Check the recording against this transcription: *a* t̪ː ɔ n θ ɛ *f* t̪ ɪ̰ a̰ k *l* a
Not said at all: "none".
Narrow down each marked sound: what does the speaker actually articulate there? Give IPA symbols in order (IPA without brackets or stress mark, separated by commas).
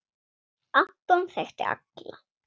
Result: a, x, l